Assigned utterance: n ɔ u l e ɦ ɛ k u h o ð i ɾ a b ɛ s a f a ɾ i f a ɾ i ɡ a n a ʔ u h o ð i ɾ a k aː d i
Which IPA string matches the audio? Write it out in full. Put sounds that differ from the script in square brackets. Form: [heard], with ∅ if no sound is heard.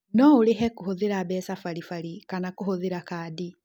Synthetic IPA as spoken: n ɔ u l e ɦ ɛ k u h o ð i ɾ a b ɛ s a f a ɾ i f a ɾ i [k] a n a [k] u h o ð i ɾ a k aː d i